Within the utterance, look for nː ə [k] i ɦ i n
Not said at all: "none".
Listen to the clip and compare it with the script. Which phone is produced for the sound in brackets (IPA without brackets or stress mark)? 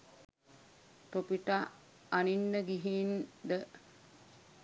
ɡ